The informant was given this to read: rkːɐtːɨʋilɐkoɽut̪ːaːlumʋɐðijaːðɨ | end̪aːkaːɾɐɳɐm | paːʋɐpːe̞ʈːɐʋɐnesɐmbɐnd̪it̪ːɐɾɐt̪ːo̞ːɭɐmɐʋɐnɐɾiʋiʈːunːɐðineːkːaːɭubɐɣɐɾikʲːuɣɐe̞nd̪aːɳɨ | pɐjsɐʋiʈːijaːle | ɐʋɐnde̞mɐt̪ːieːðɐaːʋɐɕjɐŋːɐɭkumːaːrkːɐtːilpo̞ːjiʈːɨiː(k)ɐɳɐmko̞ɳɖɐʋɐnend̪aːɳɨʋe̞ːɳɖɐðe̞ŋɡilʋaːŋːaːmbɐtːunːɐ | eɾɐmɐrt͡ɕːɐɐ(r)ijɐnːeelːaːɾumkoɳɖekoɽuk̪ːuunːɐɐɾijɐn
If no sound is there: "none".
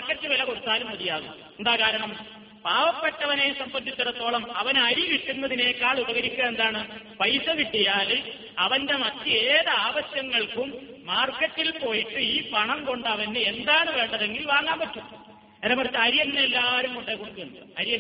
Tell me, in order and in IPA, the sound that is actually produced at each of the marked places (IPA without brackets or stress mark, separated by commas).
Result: p, ɾ